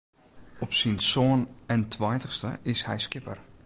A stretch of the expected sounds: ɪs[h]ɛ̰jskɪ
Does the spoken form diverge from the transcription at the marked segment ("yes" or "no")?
no